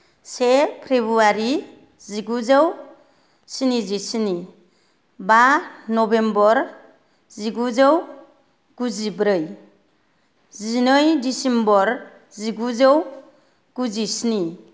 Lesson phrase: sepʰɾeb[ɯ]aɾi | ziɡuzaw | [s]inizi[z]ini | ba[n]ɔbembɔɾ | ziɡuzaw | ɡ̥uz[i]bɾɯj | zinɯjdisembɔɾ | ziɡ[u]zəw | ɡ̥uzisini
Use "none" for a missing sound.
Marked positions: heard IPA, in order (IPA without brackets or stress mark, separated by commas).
u, s, s, n, i, u